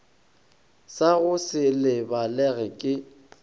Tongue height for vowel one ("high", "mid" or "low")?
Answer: low